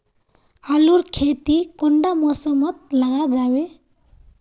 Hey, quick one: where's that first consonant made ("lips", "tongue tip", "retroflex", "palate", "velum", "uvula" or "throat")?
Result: tongue tip